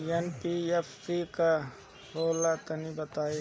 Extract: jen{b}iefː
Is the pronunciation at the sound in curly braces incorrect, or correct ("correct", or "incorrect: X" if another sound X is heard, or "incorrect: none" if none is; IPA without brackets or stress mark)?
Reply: incorrect: p